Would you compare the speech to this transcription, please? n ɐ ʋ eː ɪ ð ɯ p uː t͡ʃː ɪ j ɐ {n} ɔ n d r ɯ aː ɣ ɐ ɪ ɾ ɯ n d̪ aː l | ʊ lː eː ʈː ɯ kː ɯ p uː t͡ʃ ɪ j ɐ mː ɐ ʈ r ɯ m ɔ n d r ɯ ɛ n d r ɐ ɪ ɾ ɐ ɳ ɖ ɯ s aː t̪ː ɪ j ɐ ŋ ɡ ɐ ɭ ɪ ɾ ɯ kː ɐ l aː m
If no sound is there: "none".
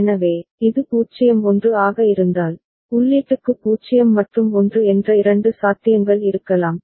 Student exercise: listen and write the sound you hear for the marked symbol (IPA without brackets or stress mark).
m